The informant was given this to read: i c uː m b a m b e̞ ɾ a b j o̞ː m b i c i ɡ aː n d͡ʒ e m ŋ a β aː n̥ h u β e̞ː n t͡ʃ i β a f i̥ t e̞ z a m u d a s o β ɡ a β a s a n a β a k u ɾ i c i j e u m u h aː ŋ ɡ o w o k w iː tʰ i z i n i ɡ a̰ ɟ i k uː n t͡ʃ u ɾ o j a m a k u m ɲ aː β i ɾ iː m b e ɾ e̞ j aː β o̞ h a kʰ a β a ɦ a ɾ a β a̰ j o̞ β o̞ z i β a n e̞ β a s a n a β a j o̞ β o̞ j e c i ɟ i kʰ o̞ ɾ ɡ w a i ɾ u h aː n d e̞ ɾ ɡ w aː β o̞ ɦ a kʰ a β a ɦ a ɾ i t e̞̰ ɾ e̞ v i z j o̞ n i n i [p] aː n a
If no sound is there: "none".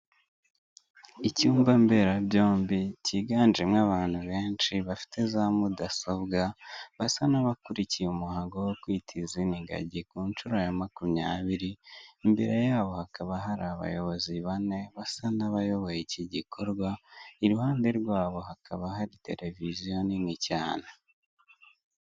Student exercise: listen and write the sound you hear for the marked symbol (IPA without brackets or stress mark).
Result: c